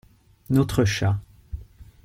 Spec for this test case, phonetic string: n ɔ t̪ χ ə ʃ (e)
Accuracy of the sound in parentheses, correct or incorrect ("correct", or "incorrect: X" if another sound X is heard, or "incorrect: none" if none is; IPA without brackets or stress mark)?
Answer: incorrect: a